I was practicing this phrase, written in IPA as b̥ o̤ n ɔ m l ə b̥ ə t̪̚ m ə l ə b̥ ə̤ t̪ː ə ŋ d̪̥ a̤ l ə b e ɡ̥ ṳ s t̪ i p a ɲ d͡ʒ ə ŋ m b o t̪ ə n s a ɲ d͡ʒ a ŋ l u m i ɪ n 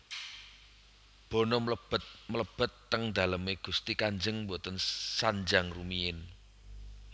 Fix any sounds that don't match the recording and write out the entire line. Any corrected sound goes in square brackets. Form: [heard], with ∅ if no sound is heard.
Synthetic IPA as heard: b̥ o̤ n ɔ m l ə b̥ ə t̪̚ m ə l ə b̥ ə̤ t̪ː ə ŋ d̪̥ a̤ l ə [m] e ɡ̥ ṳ s t̪ i [k] a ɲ d͡ʒ ə ŋ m b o t̪ ə n s a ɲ d͡ʒ a ŋ [r] u m i ɪ n